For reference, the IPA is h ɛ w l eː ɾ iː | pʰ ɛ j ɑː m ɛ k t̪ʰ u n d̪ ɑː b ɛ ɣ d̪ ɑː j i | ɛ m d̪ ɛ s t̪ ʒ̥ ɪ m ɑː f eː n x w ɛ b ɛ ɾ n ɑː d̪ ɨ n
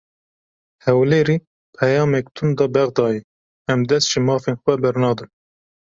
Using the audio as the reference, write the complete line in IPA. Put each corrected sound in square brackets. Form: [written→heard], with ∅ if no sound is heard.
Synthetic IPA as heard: h ɛ w l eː ɾ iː | pʰ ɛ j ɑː m ɛ k t̪ʰ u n d̪ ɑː b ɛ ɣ d̪ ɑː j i | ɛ m d̪ ɛ s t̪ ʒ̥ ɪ m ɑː f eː n x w ɛ b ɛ ɾ n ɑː d̪ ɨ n